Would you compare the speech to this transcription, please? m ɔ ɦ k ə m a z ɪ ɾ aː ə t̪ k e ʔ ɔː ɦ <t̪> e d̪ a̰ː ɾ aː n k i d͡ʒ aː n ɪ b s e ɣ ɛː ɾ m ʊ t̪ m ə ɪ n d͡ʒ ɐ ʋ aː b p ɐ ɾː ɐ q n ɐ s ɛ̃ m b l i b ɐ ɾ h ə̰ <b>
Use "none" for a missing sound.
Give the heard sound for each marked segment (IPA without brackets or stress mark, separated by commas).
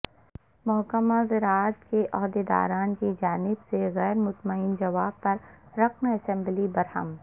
d̪, m